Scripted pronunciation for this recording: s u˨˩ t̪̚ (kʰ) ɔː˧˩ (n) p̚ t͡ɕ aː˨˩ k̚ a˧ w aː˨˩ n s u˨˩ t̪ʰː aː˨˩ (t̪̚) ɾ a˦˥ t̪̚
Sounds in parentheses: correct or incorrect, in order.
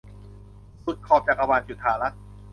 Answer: correct, incorrect: none, incorrect: none

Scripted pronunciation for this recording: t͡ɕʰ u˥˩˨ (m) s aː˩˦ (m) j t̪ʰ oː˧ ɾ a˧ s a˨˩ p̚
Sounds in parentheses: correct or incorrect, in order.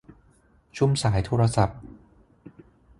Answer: correct, incorrect: none

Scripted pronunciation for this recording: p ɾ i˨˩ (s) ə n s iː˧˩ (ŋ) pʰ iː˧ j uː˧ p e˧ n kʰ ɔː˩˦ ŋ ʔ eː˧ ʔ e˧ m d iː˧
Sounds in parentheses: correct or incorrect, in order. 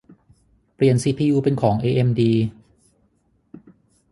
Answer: incorrect: none, incorrect: none

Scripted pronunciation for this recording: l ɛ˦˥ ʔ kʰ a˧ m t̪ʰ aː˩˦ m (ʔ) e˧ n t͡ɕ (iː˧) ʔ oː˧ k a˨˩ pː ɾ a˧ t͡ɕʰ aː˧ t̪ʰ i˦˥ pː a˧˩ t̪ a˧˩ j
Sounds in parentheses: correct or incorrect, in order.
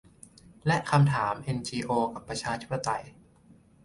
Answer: correct, correct

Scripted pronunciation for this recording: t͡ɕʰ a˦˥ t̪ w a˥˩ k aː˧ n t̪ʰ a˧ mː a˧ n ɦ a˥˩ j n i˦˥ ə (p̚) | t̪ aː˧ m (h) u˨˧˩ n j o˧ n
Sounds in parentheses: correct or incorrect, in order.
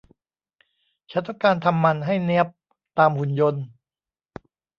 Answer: correct, correct

